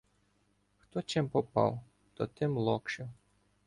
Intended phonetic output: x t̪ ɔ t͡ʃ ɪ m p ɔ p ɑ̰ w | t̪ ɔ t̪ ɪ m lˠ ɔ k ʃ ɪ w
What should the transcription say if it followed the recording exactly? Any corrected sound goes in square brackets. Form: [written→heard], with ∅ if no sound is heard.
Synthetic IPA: x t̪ ɔ t͡ʃ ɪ m p ɔ p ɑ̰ w | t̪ ɔ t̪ ɪ m lˠ ɔ k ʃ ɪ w